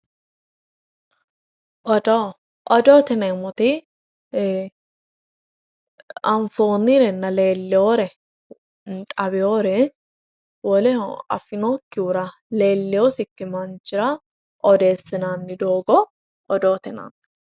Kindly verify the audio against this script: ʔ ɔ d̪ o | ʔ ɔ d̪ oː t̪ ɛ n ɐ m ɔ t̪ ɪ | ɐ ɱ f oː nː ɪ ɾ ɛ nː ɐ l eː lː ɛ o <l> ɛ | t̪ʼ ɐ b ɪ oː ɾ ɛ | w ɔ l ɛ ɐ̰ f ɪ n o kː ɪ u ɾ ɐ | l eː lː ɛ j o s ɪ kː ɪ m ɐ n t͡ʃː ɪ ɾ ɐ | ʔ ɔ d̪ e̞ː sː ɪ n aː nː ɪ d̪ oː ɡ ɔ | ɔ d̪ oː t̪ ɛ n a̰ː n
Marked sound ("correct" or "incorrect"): incorrect